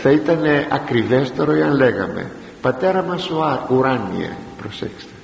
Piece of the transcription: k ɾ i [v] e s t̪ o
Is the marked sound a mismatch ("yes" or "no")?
no